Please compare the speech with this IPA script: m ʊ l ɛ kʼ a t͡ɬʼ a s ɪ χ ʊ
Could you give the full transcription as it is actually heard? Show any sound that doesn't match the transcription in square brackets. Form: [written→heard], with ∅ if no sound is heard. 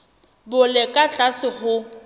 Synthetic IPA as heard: [m→b] ʊ l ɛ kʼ a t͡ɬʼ a s ɪ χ ʊ